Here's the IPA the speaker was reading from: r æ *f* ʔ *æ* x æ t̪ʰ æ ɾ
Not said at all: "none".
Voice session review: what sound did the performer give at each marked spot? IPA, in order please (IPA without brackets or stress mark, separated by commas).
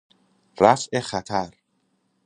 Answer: f, e